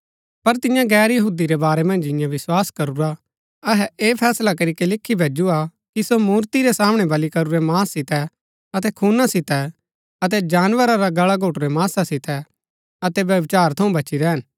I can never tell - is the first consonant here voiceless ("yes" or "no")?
yes